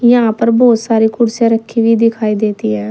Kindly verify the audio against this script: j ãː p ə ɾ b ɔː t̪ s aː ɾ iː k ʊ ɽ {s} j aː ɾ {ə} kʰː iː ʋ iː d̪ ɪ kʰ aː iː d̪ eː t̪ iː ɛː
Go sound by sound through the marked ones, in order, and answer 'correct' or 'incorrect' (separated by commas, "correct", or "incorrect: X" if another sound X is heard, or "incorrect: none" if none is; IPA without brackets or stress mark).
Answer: correct, correct